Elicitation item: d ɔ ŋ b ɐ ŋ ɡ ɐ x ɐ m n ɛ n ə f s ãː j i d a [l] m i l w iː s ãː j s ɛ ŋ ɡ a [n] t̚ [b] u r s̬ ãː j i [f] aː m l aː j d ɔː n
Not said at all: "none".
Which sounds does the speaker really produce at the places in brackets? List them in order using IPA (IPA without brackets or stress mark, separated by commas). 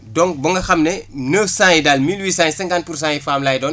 l, n, p, f